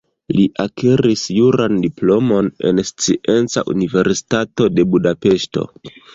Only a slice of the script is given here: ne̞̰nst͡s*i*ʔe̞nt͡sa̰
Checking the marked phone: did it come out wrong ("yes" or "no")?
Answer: no